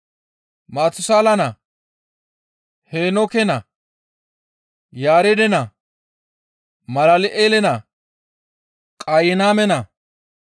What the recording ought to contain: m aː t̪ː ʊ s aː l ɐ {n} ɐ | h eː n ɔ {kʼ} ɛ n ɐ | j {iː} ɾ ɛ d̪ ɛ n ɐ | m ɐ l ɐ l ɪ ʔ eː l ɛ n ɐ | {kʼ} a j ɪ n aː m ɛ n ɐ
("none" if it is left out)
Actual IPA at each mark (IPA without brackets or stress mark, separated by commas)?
n, k, aː, kʼ